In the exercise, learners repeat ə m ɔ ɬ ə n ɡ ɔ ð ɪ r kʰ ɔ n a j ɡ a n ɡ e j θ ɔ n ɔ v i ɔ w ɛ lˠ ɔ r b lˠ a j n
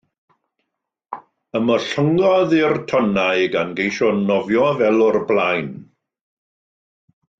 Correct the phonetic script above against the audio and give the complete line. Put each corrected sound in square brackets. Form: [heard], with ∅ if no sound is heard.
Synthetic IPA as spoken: ə m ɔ ɬ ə [ŋ] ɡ ɔ ð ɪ r [tʰ] ɔ n a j ɡ a n ɡ e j [ʃ] ɔ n ɔ v [j] ɔ [v] ɛ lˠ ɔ r b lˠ a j n